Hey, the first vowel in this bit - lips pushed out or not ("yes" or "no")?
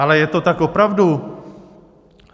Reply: no